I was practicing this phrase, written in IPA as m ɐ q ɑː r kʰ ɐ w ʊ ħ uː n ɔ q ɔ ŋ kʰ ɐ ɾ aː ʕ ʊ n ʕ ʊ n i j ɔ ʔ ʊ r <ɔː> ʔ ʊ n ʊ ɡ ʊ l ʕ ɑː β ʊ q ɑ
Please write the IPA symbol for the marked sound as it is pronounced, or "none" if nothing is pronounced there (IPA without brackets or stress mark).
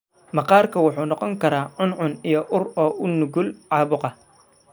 ɔː